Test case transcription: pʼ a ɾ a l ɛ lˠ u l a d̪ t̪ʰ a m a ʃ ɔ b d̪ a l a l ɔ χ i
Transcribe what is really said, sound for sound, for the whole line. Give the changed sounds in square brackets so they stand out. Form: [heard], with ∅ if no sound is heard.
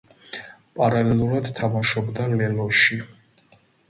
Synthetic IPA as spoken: pʼ a ɾ a l ɛ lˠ u [ɾ] a d̪ t̪ʰ a m a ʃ ɔ b d̪ a l [ɛ] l ɔ [ʃ] i